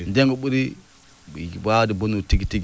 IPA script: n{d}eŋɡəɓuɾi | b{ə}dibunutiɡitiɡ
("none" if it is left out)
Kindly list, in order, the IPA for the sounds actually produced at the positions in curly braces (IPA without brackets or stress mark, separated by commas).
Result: d, a